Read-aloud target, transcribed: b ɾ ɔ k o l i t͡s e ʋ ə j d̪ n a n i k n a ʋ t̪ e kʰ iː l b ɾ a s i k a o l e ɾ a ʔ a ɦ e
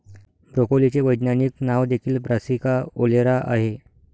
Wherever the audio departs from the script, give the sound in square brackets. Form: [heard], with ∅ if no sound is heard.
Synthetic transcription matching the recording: b ɾ [o] k o l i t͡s e ʋ ə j d̪ n a n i k n a ʋ [d̪] e kʰ iː l b ɾ a s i k a o l e ɾ a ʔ a ɦ e

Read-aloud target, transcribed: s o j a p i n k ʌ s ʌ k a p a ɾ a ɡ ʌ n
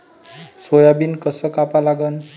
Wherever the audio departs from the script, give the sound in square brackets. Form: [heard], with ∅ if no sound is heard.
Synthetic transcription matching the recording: s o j a [b] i n k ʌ s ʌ k a p a [l] a ɡ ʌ n

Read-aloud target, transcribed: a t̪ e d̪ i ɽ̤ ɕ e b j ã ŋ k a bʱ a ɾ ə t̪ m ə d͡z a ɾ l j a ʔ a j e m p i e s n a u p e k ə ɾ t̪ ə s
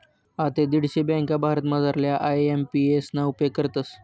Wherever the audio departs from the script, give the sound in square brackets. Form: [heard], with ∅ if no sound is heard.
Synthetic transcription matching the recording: a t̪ e d̪ i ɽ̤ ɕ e b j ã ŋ k a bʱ a ɾ ə t̪ m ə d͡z a ɾ l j a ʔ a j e m p i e s n a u p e k ə ɾ t̪ ə s

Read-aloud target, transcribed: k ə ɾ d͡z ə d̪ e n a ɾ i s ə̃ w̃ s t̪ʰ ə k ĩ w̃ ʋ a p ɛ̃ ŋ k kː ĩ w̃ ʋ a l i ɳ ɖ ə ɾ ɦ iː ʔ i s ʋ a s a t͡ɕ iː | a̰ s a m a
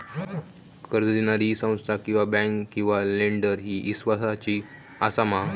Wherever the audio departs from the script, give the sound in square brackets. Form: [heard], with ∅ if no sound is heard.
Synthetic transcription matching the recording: k ə ɾ d͡z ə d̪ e n a ɾ i s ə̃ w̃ s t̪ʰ [a] k ĩ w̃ ʋ a [b] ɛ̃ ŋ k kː ĩ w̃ ʋ a l [e] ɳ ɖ ə ɾ ɦ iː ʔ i s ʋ a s a t͡ɕ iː | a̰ s a m a

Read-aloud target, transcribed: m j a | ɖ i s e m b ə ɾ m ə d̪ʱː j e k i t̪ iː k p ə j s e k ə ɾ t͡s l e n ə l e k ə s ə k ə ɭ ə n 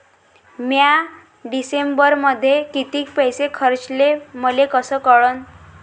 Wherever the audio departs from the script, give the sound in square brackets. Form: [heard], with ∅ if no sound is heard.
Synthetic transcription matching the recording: m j a | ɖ i s e m b ə ɾ m ə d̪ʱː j e k i t̪ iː k p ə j s e [kʰ] ə ɾ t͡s l e [m] ə l e k ə s ə k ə ɭ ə n

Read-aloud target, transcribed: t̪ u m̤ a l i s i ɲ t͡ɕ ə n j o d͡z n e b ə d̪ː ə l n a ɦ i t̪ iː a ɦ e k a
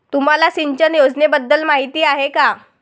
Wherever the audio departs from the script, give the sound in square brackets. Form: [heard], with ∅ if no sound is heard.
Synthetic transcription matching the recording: t̪ u m̤ a l [a] s i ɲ t͡ɕ ə n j o d͡z n e b ə d̪ː ə l [m] a ɦ i t̪ iː a ɦ e k a

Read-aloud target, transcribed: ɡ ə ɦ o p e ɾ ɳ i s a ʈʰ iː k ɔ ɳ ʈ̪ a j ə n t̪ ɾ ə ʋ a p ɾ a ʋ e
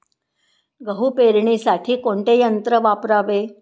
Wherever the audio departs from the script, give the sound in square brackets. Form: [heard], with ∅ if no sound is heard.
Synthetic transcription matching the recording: ɡ ə ɦ [u] p e ɾ ɳ i s a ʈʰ iː k [o] ɳ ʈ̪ [e] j ə n t̪ ɾ ə ʋ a p ɾ a ʋ e

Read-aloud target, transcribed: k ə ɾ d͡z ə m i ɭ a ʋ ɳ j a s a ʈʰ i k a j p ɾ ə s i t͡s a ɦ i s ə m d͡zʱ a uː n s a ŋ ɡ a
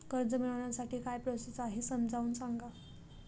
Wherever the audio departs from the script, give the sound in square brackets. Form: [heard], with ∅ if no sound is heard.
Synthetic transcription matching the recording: k ə ɾ d͡z ə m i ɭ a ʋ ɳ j a s a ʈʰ [iː] k a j p ɾ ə s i t͡s a ɦ i s ə m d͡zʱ a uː n s a ŋ ɡ a

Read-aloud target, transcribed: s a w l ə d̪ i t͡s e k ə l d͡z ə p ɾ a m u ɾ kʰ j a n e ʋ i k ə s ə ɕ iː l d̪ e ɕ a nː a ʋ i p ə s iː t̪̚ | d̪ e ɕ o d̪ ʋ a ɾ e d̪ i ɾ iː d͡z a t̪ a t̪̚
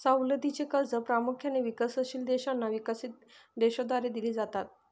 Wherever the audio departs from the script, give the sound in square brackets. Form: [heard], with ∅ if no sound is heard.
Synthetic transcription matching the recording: s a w l ə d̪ i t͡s e k ə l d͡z ə p ɾ a m u [∅] kʰ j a n e ʋ i k ə s ə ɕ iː l d̪ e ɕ a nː a ʋ i [k] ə s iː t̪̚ | d̪ e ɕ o d̪ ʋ a ɾ e d̪ i [l] iː d͡z a t̪ a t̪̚

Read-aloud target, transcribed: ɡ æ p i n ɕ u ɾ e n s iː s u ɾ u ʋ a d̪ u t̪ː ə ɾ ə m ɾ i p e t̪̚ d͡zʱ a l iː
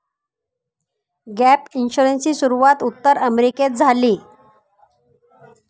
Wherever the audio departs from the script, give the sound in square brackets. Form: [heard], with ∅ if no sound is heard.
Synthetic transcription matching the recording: ɡ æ p i n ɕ u ɾ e n s iː s u ɾ u ʋ a [t̪] u t̪ː ə ɾ ə m ɾ i [k] e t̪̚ d͡zʱ a l iː

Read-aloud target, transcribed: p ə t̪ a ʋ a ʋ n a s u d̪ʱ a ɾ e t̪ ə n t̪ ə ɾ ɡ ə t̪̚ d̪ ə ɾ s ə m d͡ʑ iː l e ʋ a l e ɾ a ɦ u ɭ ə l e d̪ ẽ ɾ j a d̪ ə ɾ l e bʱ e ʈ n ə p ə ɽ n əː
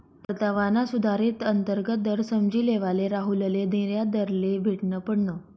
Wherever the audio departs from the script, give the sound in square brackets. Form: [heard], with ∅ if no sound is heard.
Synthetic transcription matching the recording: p ə t̪ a ʋ a [∅] n a s u d̪ʱ a ɾ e t̪ ə n t̪ ə ɾ ɡ ə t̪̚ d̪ ə ɾ s ə m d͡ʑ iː l e ʋ a l e ɾ a ɦ u [l] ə l e d̪ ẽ ɾ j a d̪ ə ɾ l e bʱ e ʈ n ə p ə ɽ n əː

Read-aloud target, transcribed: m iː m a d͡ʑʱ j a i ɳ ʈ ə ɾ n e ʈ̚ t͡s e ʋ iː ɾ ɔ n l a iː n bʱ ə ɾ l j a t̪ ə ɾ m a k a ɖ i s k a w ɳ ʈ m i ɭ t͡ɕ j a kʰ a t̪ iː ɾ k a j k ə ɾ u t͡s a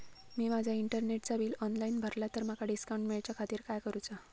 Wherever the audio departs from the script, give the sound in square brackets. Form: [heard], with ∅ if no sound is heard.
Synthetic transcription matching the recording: m iː m a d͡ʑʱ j a i ɳ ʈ ə ɾ n e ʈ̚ t͡s [a] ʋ iː [l] ɔ n l a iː n bʱ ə ɾ l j a t̪ ə ɾ m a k a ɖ i s k a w ɳ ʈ m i ɭ t͡ɕ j a kʰ a t̪ iː ɾ k a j k ə ɾ u t͡s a

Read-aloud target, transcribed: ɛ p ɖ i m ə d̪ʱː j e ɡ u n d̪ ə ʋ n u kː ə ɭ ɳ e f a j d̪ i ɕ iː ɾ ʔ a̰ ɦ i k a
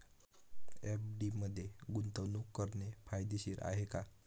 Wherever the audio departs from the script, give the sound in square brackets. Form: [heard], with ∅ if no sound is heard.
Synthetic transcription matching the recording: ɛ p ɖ i m ə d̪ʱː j e ɡ u n [t̪] ə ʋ n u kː ə [ɾ] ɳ e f a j d̪ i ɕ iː ɾ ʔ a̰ ɦ [e] k a

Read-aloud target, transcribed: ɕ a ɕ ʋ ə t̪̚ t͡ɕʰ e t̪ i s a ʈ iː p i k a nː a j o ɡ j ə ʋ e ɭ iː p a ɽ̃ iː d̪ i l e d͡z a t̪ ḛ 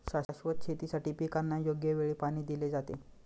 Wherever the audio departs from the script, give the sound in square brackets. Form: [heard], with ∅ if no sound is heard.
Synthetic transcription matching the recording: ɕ a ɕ ʋ ə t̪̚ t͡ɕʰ e t̪ i s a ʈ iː p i k a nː a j o ɡ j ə ʋ e ɭ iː p a ɽ̃ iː d̪ i l e d͡z a t̪ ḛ

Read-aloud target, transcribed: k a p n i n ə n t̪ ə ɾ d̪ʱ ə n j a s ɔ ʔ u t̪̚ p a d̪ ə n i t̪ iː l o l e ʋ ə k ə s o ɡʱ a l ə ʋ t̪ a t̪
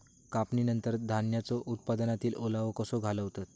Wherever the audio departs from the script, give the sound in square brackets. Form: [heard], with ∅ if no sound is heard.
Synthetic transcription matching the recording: k a p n i n ə n t̪ ə ɾ d̪ʱ [a] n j a [t͡s] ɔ ʔ u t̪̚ p a d̪ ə n [a] t̪ iː l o l [a] ʋ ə k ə s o ɡʱ a l ə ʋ t̪ a t̪

